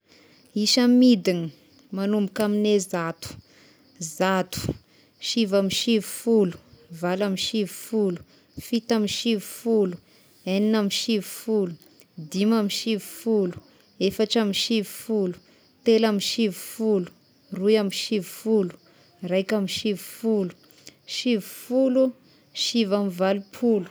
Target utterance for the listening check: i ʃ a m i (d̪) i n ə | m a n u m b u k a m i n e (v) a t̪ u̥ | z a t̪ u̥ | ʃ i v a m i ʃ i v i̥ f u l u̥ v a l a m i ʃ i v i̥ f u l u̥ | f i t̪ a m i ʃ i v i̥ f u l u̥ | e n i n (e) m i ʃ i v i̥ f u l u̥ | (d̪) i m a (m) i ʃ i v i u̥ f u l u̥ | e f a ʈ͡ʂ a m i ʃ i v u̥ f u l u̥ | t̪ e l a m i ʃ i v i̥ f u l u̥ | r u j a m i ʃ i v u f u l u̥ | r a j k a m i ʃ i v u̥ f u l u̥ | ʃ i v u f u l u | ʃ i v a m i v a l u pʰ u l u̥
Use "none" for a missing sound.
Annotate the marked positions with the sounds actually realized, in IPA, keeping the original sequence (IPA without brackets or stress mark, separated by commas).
d̪, z, a, d̪, m